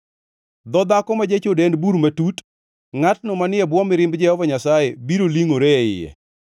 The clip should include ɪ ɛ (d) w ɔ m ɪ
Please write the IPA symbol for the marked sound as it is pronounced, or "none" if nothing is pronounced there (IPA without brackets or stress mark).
b